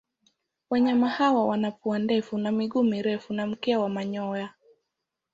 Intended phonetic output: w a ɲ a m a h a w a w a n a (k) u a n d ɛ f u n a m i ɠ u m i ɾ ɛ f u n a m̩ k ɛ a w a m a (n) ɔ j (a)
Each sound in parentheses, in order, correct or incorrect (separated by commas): incorrect, incorrect, correct